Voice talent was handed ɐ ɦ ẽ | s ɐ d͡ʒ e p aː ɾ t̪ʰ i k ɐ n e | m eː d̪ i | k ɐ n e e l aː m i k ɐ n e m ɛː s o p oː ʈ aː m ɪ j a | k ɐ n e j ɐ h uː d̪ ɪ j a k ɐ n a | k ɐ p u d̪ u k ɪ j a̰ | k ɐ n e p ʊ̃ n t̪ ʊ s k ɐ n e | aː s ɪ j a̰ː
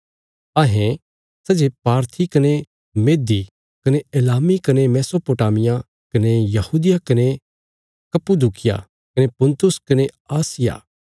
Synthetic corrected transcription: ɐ ɦ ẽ | s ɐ d͡ʒ e p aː ɾ t̪ʰ i k ɐ n e | m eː d̪ i | k ɐ n e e l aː m i k ɐ n e m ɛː s o p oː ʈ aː m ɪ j a | k ɐ n e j ɐ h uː d̪ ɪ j a k ɐ n e | k ɐ p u d̪ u k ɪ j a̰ | k ɐ n e p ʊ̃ n t̪ ʊ s k ɐ n e | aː s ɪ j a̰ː

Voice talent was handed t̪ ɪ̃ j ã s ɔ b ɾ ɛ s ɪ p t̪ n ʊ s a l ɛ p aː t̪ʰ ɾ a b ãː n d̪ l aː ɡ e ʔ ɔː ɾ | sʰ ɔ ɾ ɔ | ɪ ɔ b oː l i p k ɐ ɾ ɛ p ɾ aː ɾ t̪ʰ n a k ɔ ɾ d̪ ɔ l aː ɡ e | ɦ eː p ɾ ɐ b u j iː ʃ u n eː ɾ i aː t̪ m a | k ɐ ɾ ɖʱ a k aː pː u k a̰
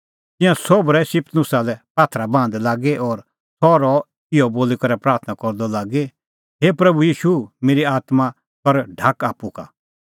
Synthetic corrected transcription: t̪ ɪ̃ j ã s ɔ b ɾ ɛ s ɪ p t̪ n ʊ s a l ɛ p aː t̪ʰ ɾ a b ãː n d̪ l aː ɡ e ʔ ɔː ɾ | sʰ ɔ ɾ ɔ | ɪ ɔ b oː l i k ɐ ɾ ɛ p ɾ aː ɾ t̪ʰ n a k ɔ ɾ d̪ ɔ l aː ɡ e | ɦ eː p ɾ ɐ b u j iː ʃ u m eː ɾ i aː t̪ m a | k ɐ ɾ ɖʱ a k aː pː u k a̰

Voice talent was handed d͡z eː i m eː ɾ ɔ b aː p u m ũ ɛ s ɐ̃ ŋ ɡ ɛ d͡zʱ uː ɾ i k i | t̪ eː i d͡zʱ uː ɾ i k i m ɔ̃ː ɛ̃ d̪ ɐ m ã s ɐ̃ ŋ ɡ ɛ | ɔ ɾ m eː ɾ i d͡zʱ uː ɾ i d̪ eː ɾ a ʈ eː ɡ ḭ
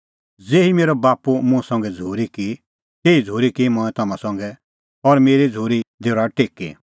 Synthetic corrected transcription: d͡z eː i m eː ɾ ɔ b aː p u m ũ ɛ s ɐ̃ ŋ ɡ ɛ d͡zʱ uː ɾ i k i | t̪ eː i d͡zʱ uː ɾ i k i m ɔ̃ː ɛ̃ t̪ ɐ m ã s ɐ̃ ŋ ɡ ɛ | ɔ ɾ m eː ɾ i d͡zʱ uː ɾ i d̪ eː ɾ a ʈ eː k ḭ

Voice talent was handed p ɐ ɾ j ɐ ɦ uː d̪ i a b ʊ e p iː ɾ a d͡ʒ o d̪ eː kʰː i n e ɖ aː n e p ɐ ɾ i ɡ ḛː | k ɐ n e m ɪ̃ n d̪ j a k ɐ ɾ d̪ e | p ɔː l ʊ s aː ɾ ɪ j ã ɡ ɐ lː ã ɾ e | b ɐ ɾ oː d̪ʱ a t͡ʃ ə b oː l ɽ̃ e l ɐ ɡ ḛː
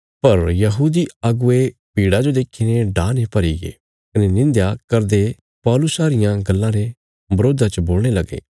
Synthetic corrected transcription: p ɐ ɾ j ɐ ɦ uː d̪ i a ɡ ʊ e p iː ɽ a d͡ʒ o d̪ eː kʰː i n e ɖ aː n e p ɐ ɾ i ɡ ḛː | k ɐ n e n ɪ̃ n d̪ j a k ɐ ɾ d̪ e | p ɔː l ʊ s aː ɾ ɪ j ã ɡ ɐ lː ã ɾ e | b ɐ ɾ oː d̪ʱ a t͡ʃ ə b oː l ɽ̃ e l ɐ ɡ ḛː

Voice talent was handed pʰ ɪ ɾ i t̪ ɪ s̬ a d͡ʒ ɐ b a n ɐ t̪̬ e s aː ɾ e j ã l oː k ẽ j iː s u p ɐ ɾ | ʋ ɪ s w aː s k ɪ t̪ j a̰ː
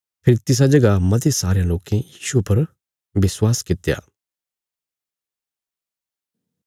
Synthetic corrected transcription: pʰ ɪ ɾ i t̪ ɪ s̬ a d͡ʒ ɐ ɡ a m ɐ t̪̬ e s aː ɾ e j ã l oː k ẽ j iː ʃ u p ɐ ɾ | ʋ ɪ s w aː s k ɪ t̪ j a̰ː

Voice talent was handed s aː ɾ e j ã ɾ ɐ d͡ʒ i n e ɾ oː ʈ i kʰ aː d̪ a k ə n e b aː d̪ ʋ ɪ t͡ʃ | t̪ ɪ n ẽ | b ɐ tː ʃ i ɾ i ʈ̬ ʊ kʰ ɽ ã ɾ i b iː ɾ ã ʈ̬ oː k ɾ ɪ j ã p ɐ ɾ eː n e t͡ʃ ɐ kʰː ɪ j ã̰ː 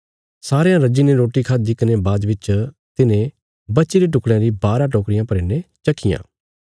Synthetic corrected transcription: s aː ɾ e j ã ɾ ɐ d͡ʒ i n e ɾ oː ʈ i kʰ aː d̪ i k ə n e b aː d̪ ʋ ɪ t͡ʃ | t̪ ɪ n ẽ | b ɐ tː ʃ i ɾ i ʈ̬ ʊ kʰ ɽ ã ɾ i b aː ɾ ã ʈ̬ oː k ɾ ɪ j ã p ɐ ɾ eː n e t͡ʃ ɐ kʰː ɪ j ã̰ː

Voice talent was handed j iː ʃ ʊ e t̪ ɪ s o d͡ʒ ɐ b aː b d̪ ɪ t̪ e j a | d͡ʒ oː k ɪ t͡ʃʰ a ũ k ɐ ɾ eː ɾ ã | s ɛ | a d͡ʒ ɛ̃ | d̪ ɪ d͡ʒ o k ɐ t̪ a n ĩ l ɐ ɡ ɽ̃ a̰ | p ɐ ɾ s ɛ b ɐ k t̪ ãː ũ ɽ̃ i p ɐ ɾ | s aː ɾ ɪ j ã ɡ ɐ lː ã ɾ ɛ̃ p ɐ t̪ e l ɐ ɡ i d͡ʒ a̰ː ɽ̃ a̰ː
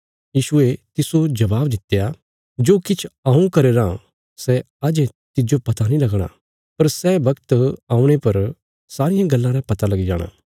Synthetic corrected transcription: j iː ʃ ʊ e t̪ ɪ s o d͡ʒ ɐ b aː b d̪ ɪ t̪ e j a | d͡ʒ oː k ɪ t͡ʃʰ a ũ k ɐ ɾ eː ɾ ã | s ɛ | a d͡ʒ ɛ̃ | t̪ ɪ d͡ʒ o p ɐ t̪ a n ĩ l ɐ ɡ ɽ̃ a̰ | p ɐ ɾ s ɛ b ɐ k t̪ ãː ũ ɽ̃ e p ɐ ɾ | s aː ɾ ɪ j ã ɡ ɐ lː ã ɾ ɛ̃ p ɐ t̪ a l ɐ ɡ i d͡ʒ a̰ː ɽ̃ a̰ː

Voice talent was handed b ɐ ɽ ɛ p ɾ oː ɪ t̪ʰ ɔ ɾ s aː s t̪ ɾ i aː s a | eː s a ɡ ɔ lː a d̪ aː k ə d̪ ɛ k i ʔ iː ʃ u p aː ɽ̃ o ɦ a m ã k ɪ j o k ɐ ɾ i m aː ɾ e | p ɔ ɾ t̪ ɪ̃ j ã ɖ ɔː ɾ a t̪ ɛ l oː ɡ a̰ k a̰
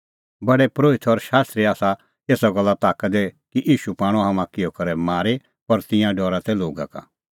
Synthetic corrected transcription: b ɐ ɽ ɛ p ɾ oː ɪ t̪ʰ ɔ ɾ ʃ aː s t̪ ɾ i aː s a | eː s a ɡ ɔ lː a t̪ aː k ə d̪ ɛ k i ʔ iː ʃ u p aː ɽ̃ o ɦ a m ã k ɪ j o k ɐ ɾ ɛ m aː ɾ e | p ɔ ɾ t̪ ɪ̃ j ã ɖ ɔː ɾ a t̪ ɛ l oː ɡ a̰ k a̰

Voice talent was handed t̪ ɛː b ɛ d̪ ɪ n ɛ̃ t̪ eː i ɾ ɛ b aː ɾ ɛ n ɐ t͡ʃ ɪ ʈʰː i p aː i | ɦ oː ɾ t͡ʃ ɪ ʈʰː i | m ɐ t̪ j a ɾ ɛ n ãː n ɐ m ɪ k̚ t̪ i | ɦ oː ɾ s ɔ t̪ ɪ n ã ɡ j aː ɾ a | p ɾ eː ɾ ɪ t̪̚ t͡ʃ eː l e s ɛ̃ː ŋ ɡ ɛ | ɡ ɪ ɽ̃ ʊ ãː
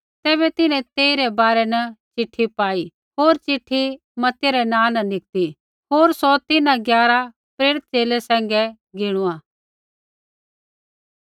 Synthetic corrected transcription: t̪ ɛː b ɛ t̪ ɪ n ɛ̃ t̪ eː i ɾ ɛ b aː ɾ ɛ n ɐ t͡ʃ ɪ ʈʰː i p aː i | ɦ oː ɾ t͡ʃ ɪ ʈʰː i | m ɐ t̪ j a ɾ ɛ n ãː n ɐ n ɪ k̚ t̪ i | ɦ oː ɾ s ɔ t̪ ɪ n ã ɡ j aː ɾ a | p ɾ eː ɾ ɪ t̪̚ t͡ʃ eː l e s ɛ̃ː ŋ ɡ ɛ | ɡ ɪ ɽ̃ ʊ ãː

